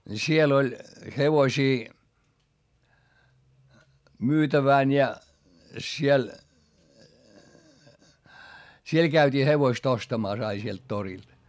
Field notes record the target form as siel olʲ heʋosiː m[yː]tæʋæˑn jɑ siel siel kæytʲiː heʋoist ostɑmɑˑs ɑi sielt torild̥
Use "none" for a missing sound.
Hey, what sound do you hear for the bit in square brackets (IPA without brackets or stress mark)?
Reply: yː